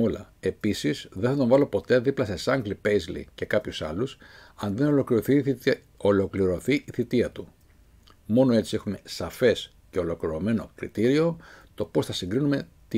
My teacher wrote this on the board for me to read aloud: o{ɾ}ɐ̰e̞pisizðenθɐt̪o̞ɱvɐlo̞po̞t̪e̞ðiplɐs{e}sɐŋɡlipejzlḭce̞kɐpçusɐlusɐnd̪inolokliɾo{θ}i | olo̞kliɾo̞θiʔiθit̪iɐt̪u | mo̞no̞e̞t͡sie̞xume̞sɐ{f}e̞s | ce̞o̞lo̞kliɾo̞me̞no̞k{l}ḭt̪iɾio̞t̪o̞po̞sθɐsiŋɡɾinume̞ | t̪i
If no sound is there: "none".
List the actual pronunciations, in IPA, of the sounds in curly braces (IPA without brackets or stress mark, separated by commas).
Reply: l, e, θ, f, ɾ